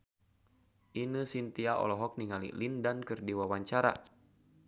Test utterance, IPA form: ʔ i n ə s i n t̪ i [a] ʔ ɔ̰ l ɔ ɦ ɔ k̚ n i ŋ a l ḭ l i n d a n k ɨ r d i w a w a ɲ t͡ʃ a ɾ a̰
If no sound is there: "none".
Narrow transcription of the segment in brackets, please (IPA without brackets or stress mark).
a